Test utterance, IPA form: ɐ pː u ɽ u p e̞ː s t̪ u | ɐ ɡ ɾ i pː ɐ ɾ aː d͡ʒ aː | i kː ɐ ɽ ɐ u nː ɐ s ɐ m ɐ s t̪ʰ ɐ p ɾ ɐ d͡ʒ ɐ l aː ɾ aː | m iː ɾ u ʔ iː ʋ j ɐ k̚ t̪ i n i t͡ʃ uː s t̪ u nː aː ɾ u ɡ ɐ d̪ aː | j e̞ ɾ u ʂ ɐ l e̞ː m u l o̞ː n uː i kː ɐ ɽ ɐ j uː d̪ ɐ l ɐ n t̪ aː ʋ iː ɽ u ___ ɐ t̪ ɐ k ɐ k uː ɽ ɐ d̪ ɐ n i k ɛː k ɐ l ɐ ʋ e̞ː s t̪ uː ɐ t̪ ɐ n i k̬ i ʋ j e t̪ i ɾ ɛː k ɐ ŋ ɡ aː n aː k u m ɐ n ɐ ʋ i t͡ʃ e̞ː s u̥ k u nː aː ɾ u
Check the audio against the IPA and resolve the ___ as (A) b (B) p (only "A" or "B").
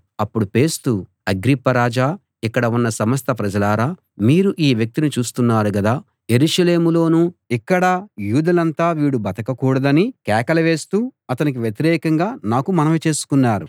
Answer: A